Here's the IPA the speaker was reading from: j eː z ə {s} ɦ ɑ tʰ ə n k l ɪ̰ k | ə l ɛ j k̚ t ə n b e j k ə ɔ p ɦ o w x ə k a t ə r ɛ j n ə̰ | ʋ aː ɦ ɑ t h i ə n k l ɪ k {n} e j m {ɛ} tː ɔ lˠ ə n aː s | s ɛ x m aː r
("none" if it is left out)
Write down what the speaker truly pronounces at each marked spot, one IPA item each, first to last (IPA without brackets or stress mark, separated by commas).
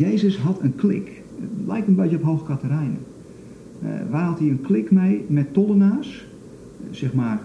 s, m, ɛ